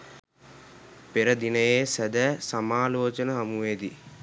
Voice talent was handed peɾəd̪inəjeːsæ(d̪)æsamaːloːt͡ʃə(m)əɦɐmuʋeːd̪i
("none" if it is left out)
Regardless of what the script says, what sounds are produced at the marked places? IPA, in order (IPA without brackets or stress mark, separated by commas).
d̪, n